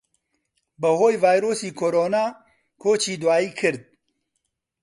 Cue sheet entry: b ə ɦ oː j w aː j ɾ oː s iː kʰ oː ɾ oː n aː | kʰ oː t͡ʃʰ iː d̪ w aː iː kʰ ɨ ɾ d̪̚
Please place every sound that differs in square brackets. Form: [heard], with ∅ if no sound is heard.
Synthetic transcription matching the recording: b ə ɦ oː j [v] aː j ɾ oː s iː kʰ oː ɾ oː n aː | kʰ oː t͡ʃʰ iː d̪ w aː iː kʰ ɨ ɾ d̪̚